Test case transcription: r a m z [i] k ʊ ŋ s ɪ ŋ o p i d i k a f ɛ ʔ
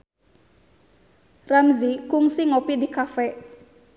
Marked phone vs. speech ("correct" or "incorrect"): correct